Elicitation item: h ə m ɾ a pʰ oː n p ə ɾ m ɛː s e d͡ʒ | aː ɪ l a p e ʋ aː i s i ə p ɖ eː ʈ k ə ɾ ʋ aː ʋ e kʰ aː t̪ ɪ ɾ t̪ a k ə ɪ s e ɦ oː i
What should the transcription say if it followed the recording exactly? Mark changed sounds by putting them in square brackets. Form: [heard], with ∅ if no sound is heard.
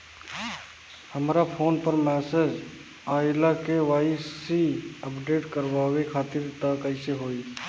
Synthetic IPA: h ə m ɾ a pʰ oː n p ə ɾ m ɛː s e d͡ʒ | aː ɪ l a [k] e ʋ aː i s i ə p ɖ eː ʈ k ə ɾ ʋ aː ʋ e kʰ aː t̪ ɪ ɾ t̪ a k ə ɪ s e ɦ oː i

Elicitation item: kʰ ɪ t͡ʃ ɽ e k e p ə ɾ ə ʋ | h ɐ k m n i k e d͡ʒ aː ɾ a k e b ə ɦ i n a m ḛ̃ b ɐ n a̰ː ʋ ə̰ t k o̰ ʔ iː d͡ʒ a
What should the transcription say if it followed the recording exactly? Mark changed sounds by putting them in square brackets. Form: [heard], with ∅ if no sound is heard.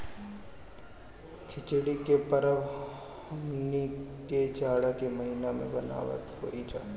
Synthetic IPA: kʰ ɪ t͡ʃ ɽ [i] k e p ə ɾ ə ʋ | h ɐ [∅] m n i k e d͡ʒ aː [ɽ] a k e [m] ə ɦ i n a m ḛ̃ b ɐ n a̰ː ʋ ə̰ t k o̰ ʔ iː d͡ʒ a

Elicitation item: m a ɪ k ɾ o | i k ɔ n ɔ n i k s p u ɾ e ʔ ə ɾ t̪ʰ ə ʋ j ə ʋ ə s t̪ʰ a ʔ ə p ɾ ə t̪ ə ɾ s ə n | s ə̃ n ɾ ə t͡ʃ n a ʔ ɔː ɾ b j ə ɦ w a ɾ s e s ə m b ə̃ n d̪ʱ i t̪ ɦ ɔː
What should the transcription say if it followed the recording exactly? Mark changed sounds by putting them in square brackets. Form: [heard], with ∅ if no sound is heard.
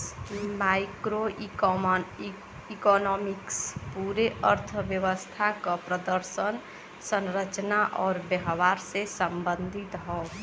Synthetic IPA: m a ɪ k ɾ o | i k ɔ n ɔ [m] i k s p u ɾ e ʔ ə ɾ t̪ʰ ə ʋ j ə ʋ ə s t̪ʰ a [k] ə p ɾ ə [d̪] ə ɾ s ə n | s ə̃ n ɾ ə t͡ʃ n a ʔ ɔː ɾ b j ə ɦ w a ɾ s e s ə m b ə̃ n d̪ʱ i t̪ ɦ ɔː

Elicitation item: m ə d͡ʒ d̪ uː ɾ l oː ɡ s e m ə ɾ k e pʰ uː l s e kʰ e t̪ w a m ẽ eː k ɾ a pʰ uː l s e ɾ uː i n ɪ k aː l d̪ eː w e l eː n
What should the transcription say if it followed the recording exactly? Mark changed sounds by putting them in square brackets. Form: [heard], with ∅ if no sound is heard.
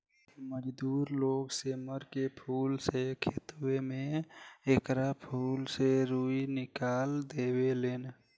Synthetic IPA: m ə d͡ʒ d̪ uː ɾ l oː ɡ s e m ə ɾ k e pʰ uː l s e kʰ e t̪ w [e] m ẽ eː k ɾ a pʰ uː l s e ɾ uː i n ɪ k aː l d̪ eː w e l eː n

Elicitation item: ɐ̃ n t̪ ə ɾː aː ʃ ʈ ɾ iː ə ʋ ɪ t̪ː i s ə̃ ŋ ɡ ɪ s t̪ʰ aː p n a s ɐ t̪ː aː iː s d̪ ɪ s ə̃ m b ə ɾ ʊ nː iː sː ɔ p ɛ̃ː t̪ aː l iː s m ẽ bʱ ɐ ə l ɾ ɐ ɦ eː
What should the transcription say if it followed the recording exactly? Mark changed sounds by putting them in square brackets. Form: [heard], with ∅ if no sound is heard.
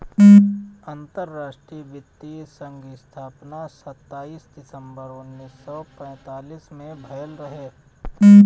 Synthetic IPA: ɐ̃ n t̪ ə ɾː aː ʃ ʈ ɾ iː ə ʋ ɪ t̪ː i s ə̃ ŋ ɡ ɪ s t̪ʰ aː p n a s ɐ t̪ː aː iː s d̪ ɪ s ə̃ m b ə ɾ ʊ nː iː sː ɔ p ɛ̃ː t̪ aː l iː s m ẽ bʱ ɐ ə l ɾ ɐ ɦ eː

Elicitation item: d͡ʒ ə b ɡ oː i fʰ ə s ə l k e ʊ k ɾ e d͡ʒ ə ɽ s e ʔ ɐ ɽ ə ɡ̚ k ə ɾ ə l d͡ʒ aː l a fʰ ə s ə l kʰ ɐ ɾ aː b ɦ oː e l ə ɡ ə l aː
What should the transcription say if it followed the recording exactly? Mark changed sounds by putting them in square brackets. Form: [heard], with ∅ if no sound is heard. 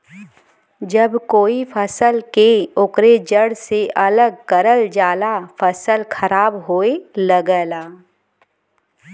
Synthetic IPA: d͡ʒ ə b [k] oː i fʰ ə s ə l k e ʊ k ɾ e d͡ʒ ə ɽ s e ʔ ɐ [l] ə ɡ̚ k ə ɾ ə l d͡ʒ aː l a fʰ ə s ə l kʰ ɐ ɾ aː b ɦ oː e l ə ɡ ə l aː

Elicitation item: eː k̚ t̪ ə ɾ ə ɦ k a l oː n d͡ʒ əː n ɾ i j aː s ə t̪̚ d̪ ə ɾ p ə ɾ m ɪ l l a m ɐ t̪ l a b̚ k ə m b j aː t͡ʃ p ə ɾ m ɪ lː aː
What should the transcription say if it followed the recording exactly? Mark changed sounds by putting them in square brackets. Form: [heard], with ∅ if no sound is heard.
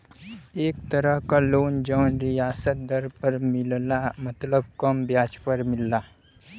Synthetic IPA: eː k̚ t̪ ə ɾ ə ɦ k a l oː n d͡ʒ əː n ɾ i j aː s ə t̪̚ d̪ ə ɾ p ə ɾ m ɪ l l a m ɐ t̪ l [ə] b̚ k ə m b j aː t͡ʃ p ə ɾ m ɪ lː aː

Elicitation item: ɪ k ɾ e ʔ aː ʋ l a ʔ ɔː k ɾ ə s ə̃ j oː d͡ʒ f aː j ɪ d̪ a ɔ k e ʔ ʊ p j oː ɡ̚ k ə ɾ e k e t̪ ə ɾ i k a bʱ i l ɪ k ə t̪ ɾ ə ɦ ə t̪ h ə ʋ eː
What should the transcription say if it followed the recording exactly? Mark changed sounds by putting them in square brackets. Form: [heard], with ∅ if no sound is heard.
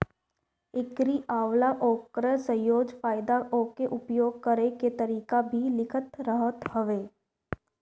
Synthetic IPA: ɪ k ɾ [i] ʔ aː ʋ l a ʔ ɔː k ɾ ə s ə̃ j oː d͡ʒ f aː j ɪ d̪ a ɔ k e ʔ ʊ p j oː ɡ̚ k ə ɾ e k e t̪ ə ɾ [iː] k a bʱ i l ɪ [kʰ] ə t̪ ɾ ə ɦ ə t̪ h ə ʋ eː

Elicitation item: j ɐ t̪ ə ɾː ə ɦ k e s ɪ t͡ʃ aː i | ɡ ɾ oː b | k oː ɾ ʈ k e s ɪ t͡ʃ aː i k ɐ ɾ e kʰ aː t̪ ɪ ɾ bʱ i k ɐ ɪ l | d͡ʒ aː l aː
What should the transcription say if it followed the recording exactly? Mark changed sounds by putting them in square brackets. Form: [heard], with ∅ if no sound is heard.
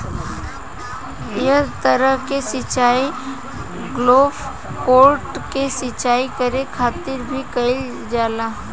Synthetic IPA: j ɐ t̪ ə [ɾ] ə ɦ k e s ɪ t͡ʃ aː i | ɡ [l] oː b | k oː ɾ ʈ k e s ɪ t͡ʃ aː i k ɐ ɾ e kʰ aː t̪ ɪ ɾ bʱ i k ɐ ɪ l | d͡ʒ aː l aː

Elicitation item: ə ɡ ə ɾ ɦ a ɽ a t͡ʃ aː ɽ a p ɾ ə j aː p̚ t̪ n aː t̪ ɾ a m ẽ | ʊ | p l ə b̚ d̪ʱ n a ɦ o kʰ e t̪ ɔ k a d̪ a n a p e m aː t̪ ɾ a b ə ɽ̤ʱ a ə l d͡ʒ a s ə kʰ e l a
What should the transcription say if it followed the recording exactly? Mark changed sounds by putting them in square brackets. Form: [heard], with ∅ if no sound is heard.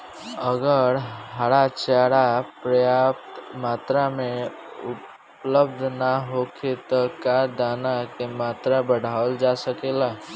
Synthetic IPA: ə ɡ ə ɾ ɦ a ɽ a t͡ʃ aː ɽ a p ɾ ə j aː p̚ t̪ [m] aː t̪ ɾ a m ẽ | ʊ | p l ə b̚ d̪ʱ n a ɦ o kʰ e t̪ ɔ k a d̪ a n a [k] e m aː t̪ ɾ a b ə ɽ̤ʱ a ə l d͡ʒ a s ə [k] e l a

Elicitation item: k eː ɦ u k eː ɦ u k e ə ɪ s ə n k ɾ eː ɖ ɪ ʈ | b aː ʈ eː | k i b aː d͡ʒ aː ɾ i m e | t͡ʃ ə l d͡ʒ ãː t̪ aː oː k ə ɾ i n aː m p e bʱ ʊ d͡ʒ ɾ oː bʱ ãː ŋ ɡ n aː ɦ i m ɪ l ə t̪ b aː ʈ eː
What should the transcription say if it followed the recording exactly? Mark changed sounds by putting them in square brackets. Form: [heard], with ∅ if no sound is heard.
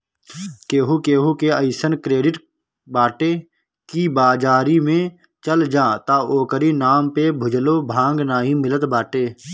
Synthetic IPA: k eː ɦ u k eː ɦ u k e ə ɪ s ə n k ɾ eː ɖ ɪ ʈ | b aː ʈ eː | k i b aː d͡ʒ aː ɾ i m [ẽ] | t͡ʃ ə l d͡ʒ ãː t̪ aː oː k ə ɾ i n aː m p e bʱ ʊ d͡ʒ [l] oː bʱ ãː ŋ ɡ n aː ɦ i m ɪ l ə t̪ b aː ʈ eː

